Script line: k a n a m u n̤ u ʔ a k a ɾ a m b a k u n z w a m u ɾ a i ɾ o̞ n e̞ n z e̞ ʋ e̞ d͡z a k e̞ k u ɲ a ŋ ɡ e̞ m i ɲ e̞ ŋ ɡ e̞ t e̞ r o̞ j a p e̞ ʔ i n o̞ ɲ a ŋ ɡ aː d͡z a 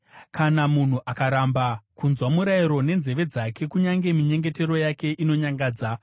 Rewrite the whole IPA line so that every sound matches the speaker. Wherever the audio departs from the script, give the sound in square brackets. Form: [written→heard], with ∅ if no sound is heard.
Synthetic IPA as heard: k a n a m u n̤ u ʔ a k a ɾ a m b a k u n z w a m u ɾ a i ɾ o̞ n e̞ n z e̞ ʋ e̞ d͡z a k e̞ k u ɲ a ŋ ɡ e̞ m i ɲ e̞ ŋ ɡ e̞ t e̞ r o̞ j a [p→k] e̞ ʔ i n o̞ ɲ a ŋ ɡ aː d͡z a